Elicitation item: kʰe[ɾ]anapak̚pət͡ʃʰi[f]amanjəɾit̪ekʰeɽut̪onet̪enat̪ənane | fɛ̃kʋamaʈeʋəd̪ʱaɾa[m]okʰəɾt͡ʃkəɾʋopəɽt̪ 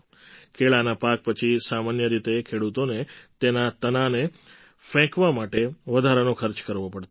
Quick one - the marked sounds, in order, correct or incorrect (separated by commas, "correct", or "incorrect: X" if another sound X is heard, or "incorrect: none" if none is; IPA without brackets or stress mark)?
incorrect: ɭ, incorrect: s, incorrect: n